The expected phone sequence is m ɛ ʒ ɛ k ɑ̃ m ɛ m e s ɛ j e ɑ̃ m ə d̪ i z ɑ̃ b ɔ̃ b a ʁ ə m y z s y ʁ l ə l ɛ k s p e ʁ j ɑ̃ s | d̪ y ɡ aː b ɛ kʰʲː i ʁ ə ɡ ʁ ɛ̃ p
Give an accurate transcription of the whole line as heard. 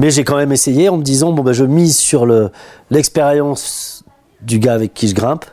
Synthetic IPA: m ɛ ʒ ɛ k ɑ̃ m ɛ m e s e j e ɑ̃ m ə d̪ i z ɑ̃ b ɔ̃ b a ʒ ə m i z s y ʁ l ə l ɛ k s p e ʁ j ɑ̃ s | d̪ y ɡ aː v ɛ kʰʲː i ʒ ə ɡ ʁ ɛ̃ p